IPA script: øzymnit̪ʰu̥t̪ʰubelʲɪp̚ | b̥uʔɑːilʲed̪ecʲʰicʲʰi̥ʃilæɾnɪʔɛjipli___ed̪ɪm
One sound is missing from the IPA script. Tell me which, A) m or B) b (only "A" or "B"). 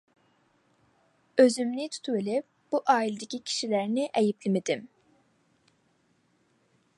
A